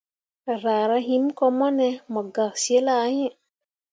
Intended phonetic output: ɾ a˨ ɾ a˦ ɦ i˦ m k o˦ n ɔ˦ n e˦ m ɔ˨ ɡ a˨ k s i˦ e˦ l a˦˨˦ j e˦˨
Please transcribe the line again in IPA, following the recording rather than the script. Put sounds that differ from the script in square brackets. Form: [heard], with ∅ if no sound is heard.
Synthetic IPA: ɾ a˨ ɾ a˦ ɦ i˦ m k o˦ [m] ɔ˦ n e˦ m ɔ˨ ɡ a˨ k s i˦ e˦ l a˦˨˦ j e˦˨